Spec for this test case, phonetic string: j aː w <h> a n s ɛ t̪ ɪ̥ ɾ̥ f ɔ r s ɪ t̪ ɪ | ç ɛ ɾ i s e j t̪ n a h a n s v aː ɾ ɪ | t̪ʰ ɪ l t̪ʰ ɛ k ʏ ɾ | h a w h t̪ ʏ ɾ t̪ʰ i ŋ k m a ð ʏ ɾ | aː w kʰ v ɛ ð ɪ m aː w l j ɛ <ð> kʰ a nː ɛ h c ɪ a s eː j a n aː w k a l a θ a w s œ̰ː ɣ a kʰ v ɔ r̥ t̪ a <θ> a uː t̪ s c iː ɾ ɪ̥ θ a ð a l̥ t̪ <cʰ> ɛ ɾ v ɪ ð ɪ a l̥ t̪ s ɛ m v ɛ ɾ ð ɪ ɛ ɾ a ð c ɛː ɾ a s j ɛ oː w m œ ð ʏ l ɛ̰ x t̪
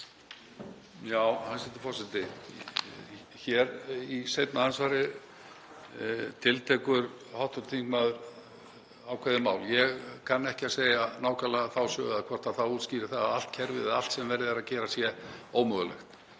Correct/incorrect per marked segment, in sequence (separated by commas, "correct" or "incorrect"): correct, incorrect, correct, correct